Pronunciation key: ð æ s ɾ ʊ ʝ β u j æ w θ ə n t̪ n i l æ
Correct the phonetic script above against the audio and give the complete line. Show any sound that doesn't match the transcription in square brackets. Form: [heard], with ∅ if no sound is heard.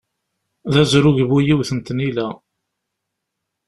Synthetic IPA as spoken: ð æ [z] ɾ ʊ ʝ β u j [i] w θ ə n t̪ n i l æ

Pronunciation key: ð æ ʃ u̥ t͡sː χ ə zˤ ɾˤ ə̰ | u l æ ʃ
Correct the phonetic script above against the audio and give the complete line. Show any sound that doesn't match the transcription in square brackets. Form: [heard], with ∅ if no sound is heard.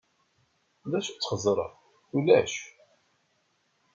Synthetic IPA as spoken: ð æ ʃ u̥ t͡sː χ ə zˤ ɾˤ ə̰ | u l æ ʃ

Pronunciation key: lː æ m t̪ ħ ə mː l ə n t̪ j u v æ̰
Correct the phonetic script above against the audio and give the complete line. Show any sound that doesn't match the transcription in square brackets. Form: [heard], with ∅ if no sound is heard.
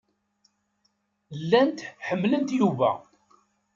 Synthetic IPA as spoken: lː æ [n] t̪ ħ ə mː l ə n t̪ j u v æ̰

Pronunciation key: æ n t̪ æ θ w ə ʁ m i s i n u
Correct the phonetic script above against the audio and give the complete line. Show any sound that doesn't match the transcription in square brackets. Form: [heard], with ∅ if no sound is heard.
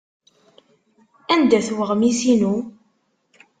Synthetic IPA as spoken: æ n [d̪] æ θ w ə ʁ m i s i n u

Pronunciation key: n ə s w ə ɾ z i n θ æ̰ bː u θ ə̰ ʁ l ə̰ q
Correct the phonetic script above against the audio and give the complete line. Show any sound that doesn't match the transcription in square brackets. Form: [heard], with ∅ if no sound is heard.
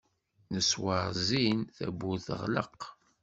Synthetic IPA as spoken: n ə s w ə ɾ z i n θ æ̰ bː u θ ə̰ ʁ l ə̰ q

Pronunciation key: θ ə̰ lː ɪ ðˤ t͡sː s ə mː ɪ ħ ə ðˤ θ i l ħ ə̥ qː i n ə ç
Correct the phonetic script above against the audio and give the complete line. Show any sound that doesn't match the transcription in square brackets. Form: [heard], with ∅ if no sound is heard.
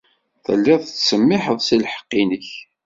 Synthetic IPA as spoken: θ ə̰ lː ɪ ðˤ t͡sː s ə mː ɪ ħ ə ðˤ [s] i l ħ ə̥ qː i n ə ç

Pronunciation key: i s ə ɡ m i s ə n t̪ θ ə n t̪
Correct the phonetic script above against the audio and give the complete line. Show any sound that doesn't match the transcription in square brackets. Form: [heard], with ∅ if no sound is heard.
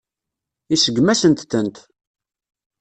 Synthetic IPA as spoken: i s ə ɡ m [æ] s ə n t̪ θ ə n t̪

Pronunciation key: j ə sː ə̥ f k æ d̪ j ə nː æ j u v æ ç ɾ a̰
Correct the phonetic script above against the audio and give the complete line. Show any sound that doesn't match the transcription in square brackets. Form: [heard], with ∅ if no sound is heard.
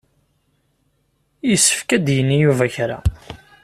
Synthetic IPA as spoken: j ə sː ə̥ f k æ d̪ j ə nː [i] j u v æ ç ɾ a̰

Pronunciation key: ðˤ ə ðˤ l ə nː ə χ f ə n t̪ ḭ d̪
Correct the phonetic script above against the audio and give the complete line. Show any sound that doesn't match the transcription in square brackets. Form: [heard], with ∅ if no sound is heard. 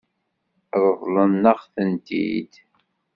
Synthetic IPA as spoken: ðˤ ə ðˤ l ə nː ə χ [θ] ə n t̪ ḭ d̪

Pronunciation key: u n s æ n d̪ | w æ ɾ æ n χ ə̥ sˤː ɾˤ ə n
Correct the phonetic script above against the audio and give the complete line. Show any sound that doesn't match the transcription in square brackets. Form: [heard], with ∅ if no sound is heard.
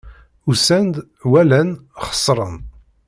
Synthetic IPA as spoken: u [∅] s æ n d̪ | w æ [l] æ n χ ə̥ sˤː ɾˤ ə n

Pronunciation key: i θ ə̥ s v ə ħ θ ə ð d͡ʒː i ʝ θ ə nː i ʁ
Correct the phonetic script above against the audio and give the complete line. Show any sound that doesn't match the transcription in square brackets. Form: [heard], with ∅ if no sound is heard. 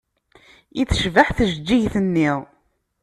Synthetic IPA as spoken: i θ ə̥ [ʃ] v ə ħ θ ə [ʒ] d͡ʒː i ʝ θ ə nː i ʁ

